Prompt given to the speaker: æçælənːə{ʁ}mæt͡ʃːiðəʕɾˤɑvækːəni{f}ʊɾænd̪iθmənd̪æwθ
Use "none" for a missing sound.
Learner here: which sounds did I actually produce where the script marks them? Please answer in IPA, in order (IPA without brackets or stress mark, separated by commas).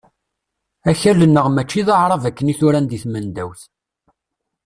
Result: ʁ, θ